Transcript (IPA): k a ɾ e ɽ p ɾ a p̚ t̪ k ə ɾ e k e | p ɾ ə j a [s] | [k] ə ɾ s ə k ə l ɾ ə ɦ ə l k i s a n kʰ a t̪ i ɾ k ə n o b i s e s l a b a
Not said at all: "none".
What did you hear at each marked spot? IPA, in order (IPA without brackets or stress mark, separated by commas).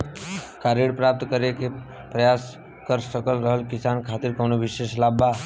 s, k